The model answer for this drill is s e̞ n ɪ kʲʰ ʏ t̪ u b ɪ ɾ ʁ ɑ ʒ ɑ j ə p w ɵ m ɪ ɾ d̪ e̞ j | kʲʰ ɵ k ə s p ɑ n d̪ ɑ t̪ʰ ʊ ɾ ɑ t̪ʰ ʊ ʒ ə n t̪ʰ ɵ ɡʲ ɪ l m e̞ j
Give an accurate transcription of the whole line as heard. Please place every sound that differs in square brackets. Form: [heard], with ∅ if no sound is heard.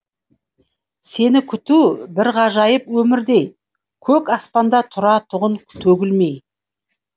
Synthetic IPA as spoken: s e̞ n ɪ kʲʰ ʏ t̪ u b ɪ ɾ ʁ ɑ ʒ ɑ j ə p w ɵ m ɪ ɾ d̪ e̞ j | kʲʰ ɵ k [ɑ] s p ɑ n d̪ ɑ t̪ʰ ʊ ɾ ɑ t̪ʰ ʊ [ʁ] ə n t̪ʰ ɵ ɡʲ ɪ l m e̞ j